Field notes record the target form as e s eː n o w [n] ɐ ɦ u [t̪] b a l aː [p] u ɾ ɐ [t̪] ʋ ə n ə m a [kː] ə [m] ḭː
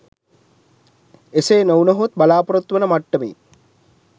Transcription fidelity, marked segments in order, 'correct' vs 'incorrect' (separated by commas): correct, correct, correct, correct, incorrect, correct